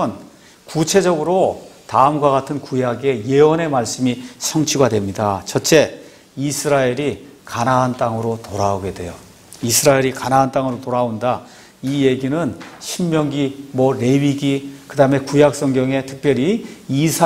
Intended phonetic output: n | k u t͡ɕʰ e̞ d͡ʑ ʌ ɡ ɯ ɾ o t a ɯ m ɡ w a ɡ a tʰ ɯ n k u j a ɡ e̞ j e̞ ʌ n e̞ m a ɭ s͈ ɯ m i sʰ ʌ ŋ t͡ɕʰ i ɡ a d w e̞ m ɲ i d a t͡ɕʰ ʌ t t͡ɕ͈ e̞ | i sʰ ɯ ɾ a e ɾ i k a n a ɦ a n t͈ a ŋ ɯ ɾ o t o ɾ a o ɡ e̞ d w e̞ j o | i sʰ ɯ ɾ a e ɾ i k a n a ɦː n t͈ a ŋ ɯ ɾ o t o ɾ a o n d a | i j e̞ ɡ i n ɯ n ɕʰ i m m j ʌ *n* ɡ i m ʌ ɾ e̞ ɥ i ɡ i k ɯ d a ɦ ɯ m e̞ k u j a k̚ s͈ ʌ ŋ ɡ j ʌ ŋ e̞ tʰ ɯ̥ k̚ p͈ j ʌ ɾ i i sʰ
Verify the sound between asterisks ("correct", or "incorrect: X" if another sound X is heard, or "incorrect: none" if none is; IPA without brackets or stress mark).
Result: incorrect: ŋ